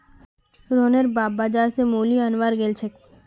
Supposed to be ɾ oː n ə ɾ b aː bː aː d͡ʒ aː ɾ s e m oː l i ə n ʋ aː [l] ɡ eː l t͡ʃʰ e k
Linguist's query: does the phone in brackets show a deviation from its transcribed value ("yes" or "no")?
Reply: yes